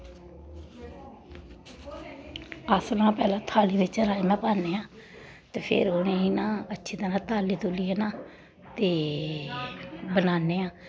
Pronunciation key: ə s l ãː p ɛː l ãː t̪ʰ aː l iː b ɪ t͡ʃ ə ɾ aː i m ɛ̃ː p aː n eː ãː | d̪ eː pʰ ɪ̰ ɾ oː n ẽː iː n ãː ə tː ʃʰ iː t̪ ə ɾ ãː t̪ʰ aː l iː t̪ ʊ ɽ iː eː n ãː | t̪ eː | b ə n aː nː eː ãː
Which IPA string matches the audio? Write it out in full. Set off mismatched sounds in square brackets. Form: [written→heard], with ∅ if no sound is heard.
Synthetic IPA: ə s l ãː p ɛː l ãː t̪ʰ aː l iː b ɪ t͡ʃ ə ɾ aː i m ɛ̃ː p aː n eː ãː | [d̪→t̪] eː pʰ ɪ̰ ɾ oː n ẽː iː n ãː ə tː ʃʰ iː t̪ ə ɾ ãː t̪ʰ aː l iː t̪ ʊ [ɽ→l] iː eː n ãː | t̪ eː | b ə n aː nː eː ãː